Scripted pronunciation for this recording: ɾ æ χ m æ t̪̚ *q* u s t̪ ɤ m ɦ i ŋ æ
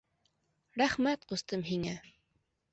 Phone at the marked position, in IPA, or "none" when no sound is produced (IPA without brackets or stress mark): q